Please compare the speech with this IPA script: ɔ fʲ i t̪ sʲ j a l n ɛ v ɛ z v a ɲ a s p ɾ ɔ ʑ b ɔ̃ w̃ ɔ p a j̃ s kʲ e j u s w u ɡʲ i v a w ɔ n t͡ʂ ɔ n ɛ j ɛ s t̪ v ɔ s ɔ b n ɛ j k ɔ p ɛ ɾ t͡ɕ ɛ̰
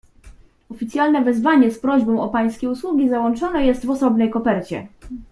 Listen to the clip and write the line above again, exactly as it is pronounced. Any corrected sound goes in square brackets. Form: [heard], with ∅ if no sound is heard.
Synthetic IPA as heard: ɔ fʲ i t̪ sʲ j a l n ɛ v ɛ z v a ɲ [ɛ] s p ɾ ɔ ʑ b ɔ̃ w̃ ɔ p a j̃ s kʲ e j u s w u ɡʲ i [z] a w ɔ n t͡ʂ ɔ n ɛ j ɛ s t̪ v ɔ s ɔ b n ɛ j k ɔ p ɛ ɾ t͡ɕ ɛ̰